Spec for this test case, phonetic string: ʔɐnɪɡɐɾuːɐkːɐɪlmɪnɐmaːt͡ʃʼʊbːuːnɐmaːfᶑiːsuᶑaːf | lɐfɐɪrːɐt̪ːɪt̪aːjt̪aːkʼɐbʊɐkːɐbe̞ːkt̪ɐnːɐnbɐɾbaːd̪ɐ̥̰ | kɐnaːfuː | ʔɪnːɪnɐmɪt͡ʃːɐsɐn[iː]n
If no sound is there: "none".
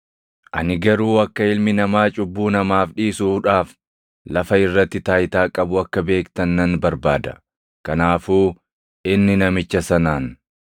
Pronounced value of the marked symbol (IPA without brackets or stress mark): aː